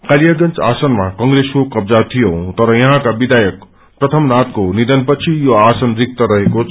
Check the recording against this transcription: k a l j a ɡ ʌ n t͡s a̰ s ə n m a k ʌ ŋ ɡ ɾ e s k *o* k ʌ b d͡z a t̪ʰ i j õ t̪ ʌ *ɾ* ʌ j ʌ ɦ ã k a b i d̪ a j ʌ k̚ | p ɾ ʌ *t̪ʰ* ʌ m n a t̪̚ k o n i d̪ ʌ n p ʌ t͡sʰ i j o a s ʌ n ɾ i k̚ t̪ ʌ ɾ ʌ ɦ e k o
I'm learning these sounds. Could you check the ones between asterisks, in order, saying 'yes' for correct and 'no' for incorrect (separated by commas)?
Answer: yes, yes, yes